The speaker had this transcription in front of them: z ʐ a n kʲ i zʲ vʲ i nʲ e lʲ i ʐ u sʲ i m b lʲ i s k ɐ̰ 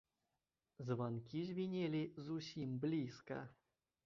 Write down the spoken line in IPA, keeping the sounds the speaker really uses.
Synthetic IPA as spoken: z v a n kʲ i zʲ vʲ i nʲ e lʲ i z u sʲ i m b lʲ i s k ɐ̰

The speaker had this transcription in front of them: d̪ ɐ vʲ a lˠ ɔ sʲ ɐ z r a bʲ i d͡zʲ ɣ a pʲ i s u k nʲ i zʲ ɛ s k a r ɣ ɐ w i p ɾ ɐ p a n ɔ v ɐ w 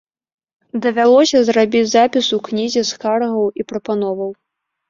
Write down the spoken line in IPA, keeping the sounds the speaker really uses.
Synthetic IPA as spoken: d̪ ɐ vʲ a lˠ ɔ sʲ ɐ z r a bʲ i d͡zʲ z a pʲ i s u k nʲ i zʲ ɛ s k a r ɣ ɐ w i p ɾ ɐ p a n ɔ v ɐ w

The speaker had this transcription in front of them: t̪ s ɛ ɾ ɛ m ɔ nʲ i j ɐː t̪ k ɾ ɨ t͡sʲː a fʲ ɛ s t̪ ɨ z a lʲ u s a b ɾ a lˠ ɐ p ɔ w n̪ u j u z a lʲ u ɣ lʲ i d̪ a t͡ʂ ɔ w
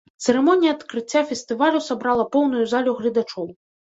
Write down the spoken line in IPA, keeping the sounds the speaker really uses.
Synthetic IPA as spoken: t̪ s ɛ ɾ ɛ m ɔ nʲ i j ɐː t̪ k ɾ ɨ t͡sʲː a fʲ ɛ s t̪ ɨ v a lʲ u s a b ɾ a lˠ ɐ p ɔ w n̪ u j u z a lʲ u ɣ lʲ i d̪ a t͡ʂ ɔ w

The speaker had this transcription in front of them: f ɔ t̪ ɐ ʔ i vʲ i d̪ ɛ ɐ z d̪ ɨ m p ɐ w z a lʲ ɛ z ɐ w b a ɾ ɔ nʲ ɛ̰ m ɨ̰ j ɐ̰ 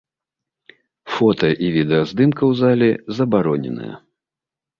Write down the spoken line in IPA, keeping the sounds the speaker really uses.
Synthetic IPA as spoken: f ɔ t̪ ɐ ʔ i vʲ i d̪ ɛ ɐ z d̪ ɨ m k ɐ w z a lʲ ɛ z ɐ b a ɾ ɔ nʲ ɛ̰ n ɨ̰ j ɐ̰

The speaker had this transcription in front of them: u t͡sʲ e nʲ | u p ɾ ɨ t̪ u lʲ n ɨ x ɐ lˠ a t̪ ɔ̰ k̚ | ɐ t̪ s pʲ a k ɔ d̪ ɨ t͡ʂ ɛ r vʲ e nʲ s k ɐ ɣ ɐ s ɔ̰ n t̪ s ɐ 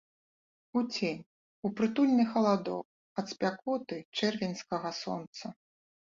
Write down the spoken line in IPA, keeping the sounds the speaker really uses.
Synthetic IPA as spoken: u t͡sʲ e nʲ | u p ɾ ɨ t̪ u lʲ n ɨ x ɐ lˠ a d̪ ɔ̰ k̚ | ɐ t̪ s pʲ a k ɔ t̪ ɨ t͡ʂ ɛ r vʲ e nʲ s k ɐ ɣ ɐ s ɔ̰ n t̪ s ɐ

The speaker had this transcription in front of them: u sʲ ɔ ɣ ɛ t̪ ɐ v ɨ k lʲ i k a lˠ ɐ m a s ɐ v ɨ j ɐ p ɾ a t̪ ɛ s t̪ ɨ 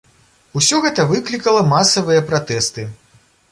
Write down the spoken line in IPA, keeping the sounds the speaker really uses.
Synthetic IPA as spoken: u sʲ ɔ ɣ ɛ t̪ ɐ v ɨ k lʲ i k ɐ lˠ ɐ m a s ɐ v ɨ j ɐ p ɾ a t̪ ɛ s t̪ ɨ

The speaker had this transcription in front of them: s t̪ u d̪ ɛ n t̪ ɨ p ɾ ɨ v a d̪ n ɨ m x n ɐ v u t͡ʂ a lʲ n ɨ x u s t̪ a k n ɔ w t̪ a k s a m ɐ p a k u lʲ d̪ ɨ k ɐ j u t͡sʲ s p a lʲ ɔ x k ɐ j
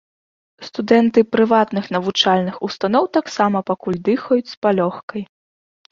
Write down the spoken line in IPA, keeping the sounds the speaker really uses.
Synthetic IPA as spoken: s t̪ u d̪ ɛ n t̪ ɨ p ɾ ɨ v a t̪ n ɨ x n ɐ v u t͡ʂ a lʲ n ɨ x u s t̪ a n ɔ w t̪ a k s a m ɐ p a k u lʲ d̪ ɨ x ɐ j u t͡sʲ s p a lʲ ɔ x k ɐ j

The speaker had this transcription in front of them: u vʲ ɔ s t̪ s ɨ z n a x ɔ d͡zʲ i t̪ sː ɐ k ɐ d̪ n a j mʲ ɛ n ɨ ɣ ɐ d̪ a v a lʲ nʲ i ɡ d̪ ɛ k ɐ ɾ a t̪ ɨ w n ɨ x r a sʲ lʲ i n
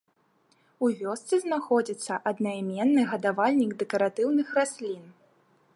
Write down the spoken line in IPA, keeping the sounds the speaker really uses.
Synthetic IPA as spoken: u vʲ ɔ s t̪ s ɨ z n a x ɔ d͡zʲ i t̪ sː ɐ ʔ ɐ d̪ n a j mʲ ɛ nː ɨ ɣ ɐ d̪ a v a lʲ nʲ i ɡ d̪ ɛ k ɐ ɾ a t̪ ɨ w n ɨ x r a sʲ lʲ i n

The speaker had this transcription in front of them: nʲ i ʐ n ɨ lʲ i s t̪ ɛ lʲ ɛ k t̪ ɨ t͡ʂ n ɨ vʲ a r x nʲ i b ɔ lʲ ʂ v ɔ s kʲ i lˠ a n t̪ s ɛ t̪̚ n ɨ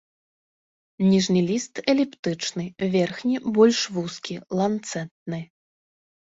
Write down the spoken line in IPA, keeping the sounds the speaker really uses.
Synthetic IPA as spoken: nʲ i ʐ n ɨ lʲ i s t̪ ɛ lʲ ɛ p t̪ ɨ t͡ʂ n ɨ vʲ ɛ r x nʲ i b ɔ lʲ ʂ v u s kʲ i lˠ a n t̪ s ɛ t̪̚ n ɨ

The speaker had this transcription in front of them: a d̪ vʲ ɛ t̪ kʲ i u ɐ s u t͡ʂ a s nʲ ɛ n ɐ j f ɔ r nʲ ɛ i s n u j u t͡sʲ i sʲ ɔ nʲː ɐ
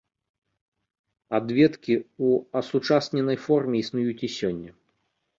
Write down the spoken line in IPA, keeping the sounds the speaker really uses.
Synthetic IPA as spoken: a d̪ vʲ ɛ t̪ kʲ i u ɐ s u t͡ʂ a s nʲ ɛ n ɐ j f ɔ r mʲ ɛ i s n u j u t͡sʲ i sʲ ɔ nʲː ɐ

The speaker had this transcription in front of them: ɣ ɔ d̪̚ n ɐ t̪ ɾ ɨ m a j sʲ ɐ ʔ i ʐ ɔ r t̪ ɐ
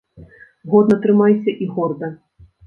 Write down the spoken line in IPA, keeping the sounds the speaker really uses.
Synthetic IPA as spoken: ɣ ɔ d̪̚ n ɐ t̪ ɾ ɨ m a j sʲ ɐ ʔ i ɣ ɔ r d̪ ɐ

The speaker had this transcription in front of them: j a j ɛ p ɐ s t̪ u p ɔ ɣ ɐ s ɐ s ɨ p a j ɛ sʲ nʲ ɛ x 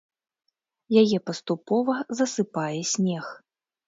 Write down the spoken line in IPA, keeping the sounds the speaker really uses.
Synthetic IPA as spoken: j a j ɛ p ɐ s t̪ u p ɔ v ɐ z ɐ s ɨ p a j ɛ sʲ nʲ ɛ x

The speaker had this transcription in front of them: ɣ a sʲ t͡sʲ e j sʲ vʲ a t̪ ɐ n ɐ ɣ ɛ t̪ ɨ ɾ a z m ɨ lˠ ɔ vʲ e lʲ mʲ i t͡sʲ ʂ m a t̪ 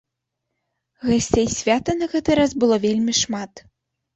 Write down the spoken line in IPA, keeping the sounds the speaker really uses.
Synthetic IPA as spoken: ɣ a sʲ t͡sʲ e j sʲ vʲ a t̪ ɐ n ɐ ɣ ɛ t̪ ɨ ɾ a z b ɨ lˠ ɔ vʲ e lʲ mʲ i ʂ m a t̪

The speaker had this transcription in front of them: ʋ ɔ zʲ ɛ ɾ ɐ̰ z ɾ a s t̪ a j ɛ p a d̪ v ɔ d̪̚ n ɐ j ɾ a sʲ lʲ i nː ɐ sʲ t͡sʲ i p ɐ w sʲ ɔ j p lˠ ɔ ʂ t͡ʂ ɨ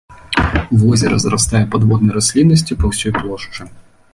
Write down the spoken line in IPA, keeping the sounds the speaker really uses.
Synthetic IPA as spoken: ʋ ɔ zʲ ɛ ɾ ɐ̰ z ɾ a s t̪ a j ɛ p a d̪ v ɔ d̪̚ n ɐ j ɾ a sʲ lʲ i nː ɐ sʲ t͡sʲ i p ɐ w sʲ ɔ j p lˠ ɔ ʂ t͡ʂ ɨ

